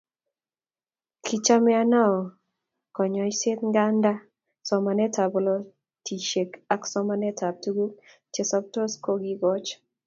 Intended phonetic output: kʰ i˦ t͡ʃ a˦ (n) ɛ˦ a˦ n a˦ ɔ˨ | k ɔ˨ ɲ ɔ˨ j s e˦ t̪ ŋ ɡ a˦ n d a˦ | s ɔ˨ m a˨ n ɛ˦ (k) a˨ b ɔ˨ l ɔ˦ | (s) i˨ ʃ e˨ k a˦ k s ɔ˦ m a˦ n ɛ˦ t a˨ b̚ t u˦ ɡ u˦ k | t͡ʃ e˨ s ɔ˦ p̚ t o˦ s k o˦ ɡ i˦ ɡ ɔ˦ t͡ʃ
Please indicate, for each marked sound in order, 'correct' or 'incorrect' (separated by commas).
incorrect, incorrect, incorrect